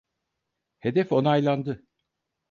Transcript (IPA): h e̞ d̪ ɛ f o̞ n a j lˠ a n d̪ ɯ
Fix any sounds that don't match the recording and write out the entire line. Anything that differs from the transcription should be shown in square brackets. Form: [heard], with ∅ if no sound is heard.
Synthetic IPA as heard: h e̞ d̪ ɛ f o̞ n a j lˠ a n d̪ ɯ